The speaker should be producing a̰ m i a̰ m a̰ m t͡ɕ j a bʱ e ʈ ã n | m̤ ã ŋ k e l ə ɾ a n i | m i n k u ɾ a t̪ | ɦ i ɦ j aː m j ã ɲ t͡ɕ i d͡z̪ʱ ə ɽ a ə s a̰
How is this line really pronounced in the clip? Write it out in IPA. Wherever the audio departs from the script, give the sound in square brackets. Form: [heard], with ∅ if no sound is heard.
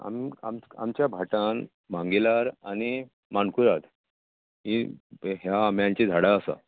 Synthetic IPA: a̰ m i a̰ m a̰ m t͡ɕ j a bʱ [a] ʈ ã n | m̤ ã ŋ [ɡ] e l [a] ɾ a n i | m [a] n k u ɾ a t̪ | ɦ i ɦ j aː m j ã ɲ t͡ɕ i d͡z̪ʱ [a] ɽ a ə s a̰